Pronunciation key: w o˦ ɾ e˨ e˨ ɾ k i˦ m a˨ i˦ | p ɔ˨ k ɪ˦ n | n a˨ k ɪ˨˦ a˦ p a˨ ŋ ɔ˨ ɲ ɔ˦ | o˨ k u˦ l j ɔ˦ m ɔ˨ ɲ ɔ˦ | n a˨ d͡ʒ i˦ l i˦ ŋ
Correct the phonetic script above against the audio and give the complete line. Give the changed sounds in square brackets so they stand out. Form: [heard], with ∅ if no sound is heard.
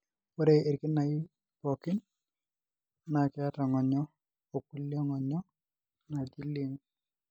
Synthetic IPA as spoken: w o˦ ɾ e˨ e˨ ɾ k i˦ [n] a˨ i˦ | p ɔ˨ k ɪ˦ n | n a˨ k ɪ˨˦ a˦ [t] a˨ ŋ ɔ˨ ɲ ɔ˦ | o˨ k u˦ l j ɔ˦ [ŋ] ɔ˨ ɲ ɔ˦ | n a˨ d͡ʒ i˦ l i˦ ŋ